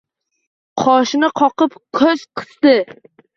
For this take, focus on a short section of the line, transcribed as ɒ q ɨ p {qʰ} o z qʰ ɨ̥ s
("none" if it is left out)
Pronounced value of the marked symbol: kʰ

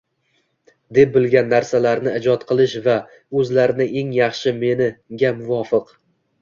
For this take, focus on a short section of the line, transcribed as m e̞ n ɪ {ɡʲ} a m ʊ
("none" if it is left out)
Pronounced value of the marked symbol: ɡʲ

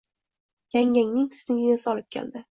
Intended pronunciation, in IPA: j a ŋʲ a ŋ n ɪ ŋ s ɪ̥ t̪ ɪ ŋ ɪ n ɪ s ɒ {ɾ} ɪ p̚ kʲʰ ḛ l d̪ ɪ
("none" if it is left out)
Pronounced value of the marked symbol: l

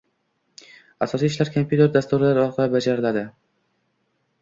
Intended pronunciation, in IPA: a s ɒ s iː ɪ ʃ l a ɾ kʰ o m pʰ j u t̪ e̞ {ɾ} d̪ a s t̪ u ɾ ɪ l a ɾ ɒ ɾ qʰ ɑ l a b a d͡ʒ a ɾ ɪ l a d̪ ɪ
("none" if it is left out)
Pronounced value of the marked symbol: ɾ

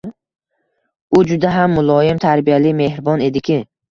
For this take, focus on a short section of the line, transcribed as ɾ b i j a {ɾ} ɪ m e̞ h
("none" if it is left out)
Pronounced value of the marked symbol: l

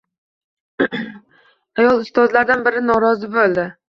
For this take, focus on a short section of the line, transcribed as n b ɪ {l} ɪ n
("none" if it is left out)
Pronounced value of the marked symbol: ɾ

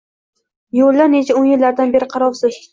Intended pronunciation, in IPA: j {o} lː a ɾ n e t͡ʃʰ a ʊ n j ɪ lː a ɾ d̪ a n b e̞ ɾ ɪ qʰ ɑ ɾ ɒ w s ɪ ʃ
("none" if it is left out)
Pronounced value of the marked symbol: o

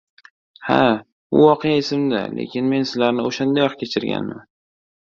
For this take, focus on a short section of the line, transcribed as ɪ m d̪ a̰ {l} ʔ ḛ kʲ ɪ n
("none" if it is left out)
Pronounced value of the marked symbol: l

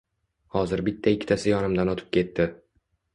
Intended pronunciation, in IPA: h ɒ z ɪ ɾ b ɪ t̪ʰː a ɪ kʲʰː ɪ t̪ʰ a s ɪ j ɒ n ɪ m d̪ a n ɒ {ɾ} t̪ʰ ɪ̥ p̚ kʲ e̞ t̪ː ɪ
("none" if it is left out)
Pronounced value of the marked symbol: none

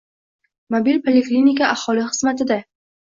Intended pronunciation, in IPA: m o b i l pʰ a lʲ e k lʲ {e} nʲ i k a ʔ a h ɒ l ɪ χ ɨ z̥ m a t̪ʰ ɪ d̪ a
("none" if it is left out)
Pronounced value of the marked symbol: i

